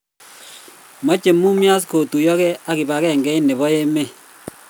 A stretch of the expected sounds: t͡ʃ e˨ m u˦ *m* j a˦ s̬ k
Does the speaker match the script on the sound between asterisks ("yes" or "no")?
yes